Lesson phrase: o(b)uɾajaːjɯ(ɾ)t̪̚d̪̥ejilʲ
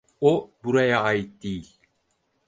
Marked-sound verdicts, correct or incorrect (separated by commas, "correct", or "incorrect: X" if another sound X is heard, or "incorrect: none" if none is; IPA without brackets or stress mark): correct, incorrect: none